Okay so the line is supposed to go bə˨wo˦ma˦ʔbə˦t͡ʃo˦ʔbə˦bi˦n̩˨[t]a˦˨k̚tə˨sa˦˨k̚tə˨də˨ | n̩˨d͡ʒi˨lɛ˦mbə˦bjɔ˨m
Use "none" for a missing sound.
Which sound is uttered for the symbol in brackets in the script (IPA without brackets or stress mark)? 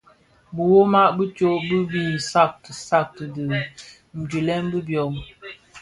s